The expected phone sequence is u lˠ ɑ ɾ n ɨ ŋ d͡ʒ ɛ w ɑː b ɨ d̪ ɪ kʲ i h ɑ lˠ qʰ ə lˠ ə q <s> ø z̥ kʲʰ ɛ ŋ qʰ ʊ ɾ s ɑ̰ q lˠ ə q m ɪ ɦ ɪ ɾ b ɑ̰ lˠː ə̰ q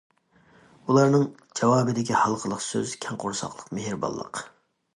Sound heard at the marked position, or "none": s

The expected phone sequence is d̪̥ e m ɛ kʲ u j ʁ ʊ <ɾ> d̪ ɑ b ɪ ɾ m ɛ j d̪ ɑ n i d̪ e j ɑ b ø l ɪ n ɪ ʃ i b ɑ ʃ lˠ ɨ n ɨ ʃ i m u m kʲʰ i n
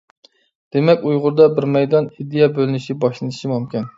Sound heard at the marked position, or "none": ɾ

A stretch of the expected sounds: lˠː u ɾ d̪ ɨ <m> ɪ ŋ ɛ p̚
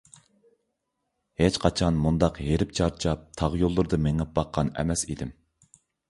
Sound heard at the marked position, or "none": m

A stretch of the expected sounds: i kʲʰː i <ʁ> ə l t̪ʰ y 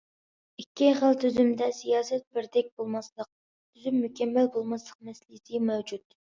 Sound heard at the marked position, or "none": χ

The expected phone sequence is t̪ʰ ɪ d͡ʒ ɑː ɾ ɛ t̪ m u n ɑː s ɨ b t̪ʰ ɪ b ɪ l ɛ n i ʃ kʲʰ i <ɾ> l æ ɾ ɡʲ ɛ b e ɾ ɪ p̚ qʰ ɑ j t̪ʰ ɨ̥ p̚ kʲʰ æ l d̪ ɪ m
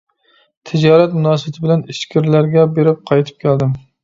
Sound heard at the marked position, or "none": ɾ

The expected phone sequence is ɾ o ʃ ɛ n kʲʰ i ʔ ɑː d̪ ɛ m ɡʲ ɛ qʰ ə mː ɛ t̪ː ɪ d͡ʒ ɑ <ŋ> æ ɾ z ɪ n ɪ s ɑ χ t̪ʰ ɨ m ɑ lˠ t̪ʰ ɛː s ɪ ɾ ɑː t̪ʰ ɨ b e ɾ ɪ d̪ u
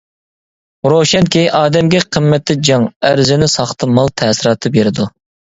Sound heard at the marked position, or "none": ŋ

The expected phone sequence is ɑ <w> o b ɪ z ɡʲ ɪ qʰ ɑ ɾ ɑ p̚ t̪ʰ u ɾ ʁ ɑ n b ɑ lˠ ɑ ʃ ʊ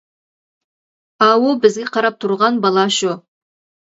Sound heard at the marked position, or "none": w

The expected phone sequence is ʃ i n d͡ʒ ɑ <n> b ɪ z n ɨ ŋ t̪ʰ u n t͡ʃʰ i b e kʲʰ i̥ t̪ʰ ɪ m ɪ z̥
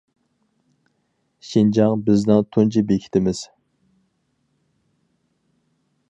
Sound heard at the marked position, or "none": ŋ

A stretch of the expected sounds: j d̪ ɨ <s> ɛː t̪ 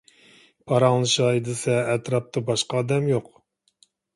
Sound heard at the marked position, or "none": s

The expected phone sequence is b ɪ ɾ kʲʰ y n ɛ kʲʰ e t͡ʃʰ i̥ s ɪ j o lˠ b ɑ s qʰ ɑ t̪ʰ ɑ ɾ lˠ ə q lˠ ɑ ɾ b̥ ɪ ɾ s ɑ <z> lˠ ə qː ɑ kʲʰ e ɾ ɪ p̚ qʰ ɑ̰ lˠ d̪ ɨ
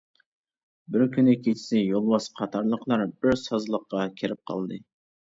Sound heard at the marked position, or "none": z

